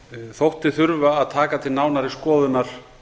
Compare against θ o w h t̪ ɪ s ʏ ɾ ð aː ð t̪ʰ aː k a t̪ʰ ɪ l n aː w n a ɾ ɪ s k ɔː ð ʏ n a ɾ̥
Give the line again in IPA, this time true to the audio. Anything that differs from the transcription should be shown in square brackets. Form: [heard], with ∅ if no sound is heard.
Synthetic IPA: θ o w h t̪ ɪ [θ] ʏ ɾ [v] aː ð t̪ʰ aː k a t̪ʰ ɪ l n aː w n a ɾ ɪ s k ɔː ð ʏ n a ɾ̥